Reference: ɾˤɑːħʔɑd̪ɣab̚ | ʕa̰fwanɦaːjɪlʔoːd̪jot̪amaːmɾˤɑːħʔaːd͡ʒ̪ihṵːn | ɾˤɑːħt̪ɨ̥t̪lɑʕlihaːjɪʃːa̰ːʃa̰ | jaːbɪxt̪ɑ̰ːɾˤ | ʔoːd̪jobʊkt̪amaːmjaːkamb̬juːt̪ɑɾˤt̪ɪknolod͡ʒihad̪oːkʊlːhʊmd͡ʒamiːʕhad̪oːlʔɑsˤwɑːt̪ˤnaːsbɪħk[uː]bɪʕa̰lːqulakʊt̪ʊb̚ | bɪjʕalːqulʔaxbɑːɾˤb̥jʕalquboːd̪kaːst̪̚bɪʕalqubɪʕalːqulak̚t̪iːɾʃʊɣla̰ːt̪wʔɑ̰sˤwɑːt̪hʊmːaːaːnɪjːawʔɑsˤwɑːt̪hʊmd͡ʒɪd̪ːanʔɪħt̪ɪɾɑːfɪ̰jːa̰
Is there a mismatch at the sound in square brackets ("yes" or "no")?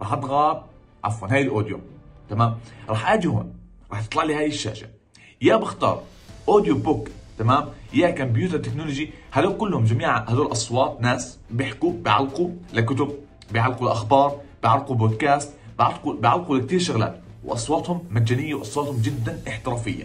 yes